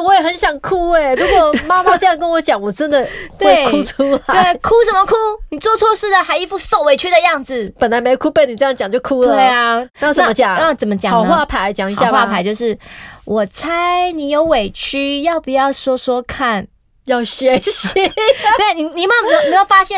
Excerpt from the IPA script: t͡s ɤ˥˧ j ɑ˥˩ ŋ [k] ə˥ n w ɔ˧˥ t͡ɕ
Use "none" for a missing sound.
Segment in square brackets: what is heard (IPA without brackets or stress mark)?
k